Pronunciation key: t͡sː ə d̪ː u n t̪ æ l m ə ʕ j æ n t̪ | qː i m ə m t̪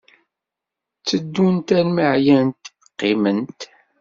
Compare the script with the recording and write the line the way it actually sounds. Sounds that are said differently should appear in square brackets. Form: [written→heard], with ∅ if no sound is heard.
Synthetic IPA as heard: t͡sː ə d̪ː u n t̪ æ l m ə ʕ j æ n t̪ | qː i m ə [m→n] t̪